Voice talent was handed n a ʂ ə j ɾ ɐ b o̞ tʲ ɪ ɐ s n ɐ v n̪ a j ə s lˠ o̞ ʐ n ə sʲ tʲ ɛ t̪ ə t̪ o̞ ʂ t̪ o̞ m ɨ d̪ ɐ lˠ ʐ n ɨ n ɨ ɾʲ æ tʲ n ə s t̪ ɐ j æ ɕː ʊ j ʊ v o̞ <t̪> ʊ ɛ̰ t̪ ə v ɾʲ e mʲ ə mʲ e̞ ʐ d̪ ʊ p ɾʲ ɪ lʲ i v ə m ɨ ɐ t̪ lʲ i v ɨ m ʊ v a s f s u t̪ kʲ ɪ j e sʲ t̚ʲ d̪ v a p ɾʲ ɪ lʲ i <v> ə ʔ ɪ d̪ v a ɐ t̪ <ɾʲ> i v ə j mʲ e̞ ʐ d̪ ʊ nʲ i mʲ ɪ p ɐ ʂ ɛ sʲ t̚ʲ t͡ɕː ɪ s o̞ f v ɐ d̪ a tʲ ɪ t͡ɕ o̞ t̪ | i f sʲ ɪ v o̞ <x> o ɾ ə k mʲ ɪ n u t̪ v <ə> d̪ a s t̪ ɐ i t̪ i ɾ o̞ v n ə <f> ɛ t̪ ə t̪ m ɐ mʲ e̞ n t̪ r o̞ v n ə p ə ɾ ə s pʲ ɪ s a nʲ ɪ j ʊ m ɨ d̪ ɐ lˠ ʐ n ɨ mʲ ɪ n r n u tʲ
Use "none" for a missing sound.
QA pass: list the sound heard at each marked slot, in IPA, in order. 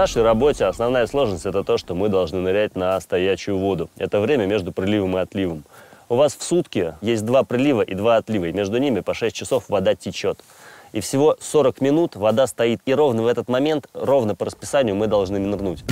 d̪, v, lʲ, s, ɐ, v

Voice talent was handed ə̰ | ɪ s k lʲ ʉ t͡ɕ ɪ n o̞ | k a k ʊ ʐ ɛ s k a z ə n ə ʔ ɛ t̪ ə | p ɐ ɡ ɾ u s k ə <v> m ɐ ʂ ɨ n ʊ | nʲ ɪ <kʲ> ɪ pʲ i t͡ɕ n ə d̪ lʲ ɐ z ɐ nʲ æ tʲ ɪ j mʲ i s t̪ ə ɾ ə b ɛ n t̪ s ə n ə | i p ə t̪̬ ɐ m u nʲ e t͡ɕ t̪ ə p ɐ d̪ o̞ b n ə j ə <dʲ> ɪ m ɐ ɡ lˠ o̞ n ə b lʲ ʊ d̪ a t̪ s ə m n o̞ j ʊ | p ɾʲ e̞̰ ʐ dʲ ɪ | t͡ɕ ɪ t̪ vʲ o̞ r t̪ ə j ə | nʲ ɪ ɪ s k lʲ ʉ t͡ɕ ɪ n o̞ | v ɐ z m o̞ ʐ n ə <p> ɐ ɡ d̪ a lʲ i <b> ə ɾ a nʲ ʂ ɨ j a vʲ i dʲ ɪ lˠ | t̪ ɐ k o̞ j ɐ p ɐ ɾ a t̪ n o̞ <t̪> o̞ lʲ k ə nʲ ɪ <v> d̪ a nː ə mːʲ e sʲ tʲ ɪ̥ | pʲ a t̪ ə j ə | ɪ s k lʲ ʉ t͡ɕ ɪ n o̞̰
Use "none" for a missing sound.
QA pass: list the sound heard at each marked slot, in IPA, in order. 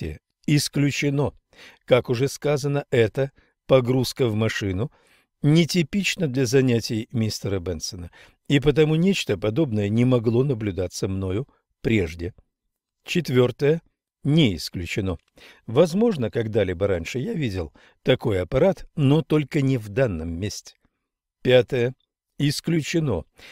v, tʲ, nʲ, k, b, t̪, v

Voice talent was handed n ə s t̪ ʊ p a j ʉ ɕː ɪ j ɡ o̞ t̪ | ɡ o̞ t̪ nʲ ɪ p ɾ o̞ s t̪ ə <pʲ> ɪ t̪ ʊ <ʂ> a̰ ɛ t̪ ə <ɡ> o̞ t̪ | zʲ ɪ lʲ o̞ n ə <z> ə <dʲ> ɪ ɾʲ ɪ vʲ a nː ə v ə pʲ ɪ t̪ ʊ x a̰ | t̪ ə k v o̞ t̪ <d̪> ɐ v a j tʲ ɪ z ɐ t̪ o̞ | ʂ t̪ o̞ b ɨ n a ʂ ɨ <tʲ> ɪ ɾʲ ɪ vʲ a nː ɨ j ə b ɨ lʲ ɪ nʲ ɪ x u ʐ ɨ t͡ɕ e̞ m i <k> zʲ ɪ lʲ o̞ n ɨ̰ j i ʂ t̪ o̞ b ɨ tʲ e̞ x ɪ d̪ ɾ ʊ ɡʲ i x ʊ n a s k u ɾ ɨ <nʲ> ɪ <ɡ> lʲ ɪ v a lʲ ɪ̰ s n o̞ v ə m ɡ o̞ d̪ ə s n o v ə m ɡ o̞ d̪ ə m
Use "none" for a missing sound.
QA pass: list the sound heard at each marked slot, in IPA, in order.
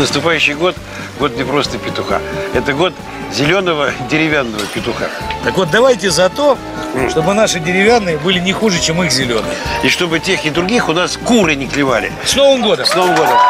pʲ, x, ɡ, v, dʲ, d̪, dʲ, x, nʲ, k

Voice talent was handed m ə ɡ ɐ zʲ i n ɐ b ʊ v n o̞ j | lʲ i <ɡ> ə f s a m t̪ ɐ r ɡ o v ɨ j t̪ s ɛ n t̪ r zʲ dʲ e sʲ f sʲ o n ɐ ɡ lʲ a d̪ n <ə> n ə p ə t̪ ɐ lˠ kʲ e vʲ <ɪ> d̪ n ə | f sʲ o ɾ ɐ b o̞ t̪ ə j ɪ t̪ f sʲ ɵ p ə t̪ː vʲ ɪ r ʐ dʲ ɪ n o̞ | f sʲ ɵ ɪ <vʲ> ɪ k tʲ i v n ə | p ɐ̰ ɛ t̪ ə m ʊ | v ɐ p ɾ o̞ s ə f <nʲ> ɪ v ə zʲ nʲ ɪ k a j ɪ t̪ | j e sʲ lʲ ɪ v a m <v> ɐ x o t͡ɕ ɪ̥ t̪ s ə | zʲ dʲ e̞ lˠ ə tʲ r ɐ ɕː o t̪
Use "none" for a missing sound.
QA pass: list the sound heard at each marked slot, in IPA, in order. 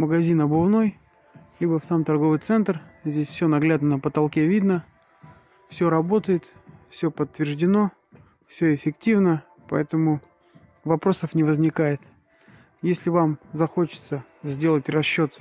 b, ə, i, fʲ, nʲ, z

